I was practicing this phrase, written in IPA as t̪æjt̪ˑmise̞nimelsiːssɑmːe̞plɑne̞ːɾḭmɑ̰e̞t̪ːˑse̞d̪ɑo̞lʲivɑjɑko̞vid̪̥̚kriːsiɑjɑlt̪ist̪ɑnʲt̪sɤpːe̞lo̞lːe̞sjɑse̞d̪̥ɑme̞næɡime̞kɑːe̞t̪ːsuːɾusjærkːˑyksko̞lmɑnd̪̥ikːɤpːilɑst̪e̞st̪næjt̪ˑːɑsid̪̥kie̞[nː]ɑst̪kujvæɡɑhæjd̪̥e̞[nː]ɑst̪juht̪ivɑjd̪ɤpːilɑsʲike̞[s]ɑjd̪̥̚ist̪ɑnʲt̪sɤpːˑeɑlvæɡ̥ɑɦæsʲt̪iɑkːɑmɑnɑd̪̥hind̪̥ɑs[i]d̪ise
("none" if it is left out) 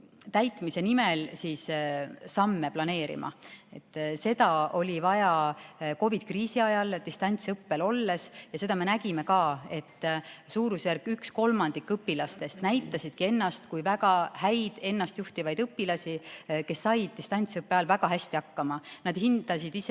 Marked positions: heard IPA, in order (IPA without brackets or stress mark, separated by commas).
nː, nː, sː, i